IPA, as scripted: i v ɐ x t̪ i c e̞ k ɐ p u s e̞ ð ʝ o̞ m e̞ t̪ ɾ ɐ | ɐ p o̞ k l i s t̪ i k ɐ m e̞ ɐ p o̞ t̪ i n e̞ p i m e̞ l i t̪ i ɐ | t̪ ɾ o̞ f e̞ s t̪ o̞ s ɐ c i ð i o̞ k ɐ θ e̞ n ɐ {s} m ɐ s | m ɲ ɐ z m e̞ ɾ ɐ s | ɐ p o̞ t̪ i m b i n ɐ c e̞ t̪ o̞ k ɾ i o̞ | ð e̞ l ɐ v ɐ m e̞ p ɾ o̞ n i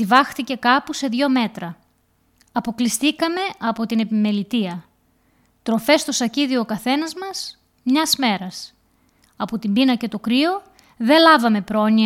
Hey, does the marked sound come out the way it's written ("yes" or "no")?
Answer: no